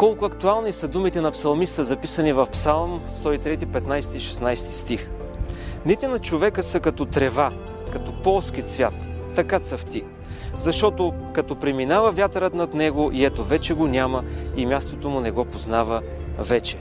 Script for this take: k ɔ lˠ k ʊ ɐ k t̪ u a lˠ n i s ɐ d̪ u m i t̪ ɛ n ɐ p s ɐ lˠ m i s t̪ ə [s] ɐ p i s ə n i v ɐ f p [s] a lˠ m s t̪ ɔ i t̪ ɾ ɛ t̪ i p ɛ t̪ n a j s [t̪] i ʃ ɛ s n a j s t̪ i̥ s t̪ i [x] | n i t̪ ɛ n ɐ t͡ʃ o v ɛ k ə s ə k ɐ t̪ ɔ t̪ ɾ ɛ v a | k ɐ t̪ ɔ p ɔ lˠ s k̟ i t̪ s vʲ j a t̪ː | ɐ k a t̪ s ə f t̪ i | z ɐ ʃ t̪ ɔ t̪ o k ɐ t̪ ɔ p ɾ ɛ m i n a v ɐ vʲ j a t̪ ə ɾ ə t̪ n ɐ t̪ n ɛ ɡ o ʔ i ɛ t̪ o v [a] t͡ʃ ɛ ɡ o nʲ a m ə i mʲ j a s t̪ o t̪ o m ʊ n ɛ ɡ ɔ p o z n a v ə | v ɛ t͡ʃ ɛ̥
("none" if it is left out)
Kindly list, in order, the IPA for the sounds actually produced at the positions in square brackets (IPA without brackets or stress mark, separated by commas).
z, s, t̪, x, ɛ